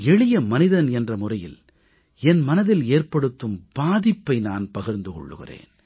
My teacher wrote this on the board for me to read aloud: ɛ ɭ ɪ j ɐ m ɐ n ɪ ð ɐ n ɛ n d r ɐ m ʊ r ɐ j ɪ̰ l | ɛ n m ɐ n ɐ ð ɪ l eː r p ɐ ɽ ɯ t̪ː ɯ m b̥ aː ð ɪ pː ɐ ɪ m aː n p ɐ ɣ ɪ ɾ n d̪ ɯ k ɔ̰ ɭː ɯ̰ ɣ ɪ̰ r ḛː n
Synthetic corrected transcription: ɛ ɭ ɪ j ɐ m ɐ n ɪ ð ɐ n ɛ n d r ɐ m ʊ r ɐ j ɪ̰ l | ɛ n m ɐ n ɐ ð ɪ l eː r p ɐ ɽ ɯ t̪ː ɯ m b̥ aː ð ɪ pː ɐ ɪ n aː n p ɐ ɣ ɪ ɾ n d̪ ɯ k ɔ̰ ɭː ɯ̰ ɣ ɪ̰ r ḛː n